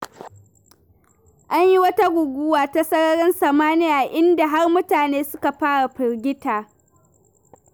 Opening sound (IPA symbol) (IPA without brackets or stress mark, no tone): ʔ